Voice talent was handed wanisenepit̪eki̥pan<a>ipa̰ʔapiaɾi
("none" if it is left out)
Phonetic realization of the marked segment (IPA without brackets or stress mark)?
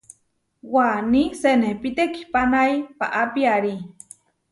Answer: a